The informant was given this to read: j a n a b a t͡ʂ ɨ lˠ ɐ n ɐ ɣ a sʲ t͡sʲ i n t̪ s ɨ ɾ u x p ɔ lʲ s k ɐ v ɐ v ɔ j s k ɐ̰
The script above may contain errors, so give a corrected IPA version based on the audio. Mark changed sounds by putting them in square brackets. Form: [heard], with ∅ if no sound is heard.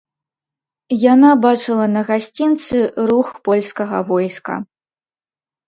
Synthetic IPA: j a n a b a t͡ʂ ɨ lˠ ɐ n ɐ ɣ a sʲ t͡sʲ i n t̪ s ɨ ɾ u x p ɔ lʲ s k ɐ [ɣ] ɐ v ɔ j s k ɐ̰